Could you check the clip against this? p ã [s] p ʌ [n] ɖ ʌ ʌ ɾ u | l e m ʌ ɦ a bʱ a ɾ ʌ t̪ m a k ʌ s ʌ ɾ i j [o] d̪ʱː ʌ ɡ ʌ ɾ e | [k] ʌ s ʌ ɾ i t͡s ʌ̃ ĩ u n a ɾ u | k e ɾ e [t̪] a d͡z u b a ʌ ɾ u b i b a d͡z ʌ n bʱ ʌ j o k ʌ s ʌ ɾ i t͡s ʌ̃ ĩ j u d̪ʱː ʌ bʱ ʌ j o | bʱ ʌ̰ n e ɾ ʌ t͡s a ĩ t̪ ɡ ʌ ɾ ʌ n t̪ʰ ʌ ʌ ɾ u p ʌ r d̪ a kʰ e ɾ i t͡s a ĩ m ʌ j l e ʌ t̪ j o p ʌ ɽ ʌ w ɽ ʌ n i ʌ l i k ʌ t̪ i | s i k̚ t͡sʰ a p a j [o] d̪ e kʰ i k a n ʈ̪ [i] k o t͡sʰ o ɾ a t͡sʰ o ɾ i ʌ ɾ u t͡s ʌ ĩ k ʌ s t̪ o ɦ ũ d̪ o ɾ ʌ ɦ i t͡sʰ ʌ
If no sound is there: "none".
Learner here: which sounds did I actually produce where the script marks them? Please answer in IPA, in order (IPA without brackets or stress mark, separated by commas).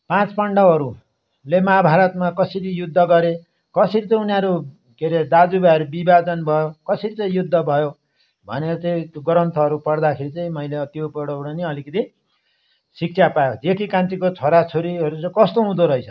t͡s, ɳ, u, k, d̪, o, i